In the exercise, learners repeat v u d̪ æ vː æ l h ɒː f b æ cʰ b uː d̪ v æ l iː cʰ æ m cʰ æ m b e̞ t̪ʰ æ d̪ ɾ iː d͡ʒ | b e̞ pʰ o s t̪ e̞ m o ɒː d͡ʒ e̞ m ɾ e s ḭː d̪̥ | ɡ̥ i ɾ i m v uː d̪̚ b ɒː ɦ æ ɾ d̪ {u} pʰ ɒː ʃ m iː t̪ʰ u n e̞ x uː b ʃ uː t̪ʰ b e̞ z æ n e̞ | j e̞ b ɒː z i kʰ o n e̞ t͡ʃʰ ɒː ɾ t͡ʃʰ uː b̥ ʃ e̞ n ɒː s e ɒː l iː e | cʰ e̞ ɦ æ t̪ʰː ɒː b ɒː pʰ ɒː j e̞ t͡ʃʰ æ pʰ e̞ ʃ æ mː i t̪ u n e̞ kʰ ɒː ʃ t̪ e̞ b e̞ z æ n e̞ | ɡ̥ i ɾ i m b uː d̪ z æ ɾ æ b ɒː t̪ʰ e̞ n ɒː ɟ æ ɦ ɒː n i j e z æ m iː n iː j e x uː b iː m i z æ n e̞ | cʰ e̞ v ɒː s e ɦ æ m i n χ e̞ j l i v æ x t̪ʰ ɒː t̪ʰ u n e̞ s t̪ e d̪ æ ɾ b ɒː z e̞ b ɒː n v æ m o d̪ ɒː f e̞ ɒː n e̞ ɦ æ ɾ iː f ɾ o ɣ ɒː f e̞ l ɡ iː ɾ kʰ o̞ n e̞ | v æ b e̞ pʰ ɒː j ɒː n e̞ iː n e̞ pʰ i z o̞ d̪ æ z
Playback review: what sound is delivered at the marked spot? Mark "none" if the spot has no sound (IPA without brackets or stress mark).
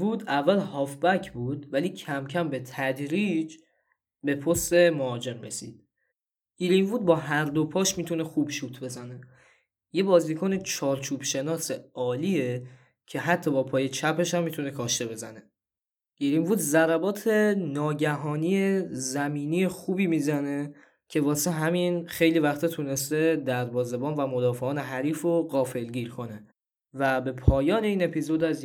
o